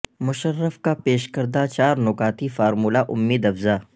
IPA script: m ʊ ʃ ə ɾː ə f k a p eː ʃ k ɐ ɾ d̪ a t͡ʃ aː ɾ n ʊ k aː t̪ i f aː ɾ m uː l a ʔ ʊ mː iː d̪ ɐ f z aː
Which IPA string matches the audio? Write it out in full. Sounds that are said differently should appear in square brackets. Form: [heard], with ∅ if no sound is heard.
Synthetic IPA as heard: m ʊ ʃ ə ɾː ə f k a p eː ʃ k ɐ ɾ d̪ a t͡ʃ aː ɾ n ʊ k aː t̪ i f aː ɾ m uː l a ʔ ʊ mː iː d̪ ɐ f z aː